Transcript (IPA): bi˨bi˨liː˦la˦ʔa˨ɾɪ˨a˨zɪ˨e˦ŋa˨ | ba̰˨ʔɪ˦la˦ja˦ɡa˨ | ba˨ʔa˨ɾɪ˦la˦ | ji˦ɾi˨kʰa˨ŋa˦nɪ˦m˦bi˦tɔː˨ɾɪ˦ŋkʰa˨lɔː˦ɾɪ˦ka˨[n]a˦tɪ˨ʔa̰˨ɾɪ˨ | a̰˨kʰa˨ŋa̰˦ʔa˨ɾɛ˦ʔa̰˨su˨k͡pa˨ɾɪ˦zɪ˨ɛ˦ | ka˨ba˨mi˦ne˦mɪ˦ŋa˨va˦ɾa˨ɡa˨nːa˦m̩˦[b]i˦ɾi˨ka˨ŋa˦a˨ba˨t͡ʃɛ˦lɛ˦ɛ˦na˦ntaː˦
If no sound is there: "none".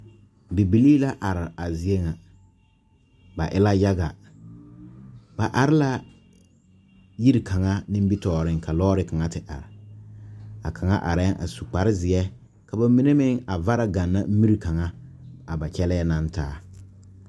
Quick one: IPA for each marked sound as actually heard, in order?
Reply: ŋ, m

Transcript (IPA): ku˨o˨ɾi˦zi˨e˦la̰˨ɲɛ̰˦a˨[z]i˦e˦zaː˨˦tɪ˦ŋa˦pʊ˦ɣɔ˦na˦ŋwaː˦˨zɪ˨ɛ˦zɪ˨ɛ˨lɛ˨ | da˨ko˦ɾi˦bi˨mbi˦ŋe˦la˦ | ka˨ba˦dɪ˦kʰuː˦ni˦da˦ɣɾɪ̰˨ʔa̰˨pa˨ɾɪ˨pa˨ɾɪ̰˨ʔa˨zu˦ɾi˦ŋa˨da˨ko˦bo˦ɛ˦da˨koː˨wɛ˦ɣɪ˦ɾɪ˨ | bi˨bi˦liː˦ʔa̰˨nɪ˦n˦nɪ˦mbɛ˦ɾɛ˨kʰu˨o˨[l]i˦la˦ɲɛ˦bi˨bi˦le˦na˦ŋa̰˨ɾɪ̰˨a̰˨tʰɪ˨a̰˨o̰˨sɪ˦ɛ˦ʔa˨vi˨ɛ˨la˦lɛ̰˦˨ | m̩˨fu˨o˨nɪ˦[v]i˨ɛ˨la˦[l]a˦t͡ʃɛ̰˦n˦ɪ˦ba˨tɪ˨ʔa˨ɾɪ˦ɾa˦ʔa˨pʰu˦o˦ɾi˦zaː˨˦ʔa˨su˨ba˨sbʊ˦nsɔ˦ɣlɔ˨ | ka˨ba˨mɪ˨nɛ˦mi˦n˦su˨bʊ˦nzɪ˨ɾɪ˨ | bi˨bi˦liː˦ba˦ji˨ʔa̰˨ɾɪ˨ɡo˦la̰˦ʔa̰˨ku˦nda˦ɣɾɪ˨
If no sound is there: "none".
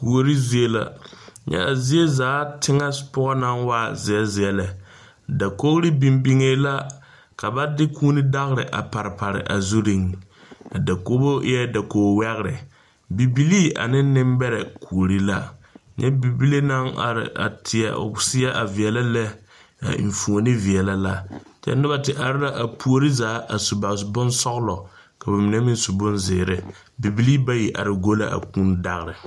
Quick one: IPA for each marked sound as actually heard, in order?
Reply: z, ɾ, v, l

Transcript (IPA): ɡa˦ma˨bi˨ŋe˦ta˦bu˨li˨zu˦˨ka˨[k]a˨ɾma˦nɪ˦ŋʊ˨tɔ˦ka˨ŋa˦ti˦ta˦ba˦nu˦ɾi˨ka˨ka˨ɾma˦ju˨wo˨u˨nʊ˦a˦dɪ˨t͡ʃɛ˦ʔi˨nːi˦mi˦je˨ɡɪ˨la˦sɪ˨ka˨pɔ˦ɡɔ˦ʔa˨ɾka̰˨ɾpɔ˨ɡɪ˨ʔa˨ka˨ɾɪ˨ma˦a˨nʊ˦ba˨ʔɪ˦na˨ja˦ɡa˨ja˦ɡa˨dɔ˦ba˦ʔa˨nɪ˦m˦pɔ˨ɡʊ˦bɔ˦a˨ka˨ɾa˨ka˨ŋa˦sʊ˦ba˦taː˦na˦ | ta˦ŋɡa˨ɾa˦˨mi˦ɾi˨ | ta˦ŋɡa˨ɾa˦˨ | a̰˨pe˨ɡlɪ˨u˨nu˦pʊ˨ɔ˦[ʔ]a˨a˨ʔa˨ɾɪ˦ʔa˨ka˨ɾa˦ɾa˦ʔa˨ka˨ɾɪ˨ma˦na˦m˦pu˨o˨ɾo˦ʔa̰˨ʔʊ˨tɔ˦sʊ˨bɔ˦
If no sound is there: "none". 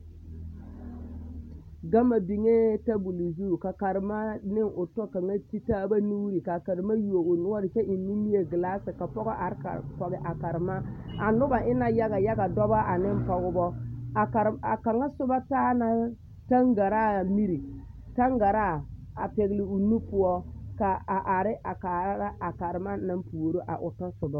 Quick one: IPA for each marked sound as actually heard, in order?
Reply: k, k

